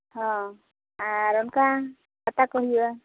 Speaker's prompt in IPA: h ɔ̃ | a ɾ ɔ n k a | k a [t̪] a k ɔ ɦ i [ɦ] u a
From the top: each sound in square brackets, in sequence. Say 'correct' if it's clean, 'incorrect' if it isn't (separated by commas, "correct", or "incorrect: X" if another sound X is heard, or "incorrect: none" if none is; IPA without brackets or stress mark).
correct, incorrect: none